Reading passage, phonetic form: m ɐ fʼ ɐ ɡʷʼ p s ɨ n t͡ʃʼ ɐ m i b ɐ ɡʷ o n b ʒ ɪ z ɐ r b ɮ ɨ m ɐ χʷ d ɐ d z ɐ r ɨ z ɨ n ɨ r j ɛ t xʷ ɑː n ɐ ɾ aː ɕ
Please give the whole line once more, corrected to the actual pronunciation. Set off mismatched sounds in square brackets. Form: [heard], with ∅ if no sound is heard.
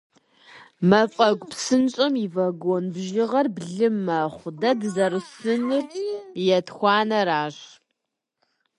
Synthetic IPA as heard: m ɐ fʼ ɐ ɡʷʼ p s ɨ n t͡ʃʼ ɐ m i [v] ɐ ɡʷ o n b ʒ ɪ [ʁ] ɐ r b ɮ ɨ m ɐ χʷ d ɐ d z ɐ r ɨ [s] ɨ n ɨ r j ɛ t xʷ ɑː n ɐ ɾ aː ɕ